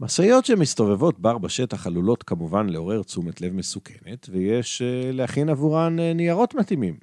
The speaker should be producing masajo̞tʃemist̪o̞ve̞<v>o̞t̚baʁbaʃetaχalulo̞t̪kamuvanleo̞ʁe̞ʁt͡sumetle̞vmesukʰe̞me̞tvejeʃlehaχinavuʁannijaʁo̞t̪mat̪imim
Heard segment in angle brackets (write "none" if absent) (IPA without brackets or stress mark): v